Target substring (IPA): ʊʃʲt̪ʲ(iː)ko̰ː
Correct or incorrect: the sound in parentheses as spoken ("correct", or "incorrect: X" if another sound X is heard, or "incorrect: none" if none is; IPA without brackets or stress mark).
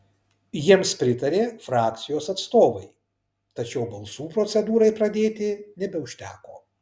incorrect: æː